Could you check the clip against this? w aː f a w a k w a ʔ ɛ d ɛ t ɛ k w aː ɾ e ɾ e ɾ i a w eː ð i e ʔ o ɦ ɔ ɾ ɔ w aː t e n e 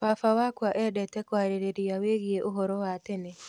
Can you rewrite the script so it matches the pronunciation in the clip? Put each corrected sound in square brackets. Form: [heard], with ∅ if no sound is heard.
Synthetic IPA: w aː f a w a k w a ʔ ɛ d ɛ t ɛ k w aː ɾ e ɾ e ɾ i a w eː [ɣ] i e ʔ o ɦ ɔ ɾ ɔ w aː t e n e